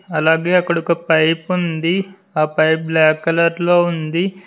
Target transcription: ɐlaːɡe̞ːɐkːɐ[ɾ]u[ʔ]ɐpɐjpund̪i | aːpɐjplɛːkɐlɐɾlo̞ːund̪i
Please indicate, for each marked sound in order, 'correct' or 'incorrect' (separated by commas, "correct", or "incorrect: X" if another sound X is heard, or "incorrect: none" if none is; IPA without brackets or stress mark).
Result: incorrect: ɽ, incorrect: k